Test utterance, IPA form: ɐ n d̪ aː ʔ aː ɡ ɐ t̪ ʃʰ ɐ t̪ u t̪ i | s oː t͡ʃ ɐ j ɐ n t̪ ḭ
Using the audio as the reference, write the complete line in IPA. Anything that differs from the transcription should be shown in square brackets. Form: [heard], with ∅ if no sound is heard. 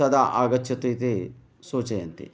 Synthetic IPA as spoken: ɐ [∅] d̪ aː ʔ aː ɡ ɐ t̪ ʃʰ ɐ t̪ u t̪ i | s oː t͡ʃ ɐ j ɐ n t̪ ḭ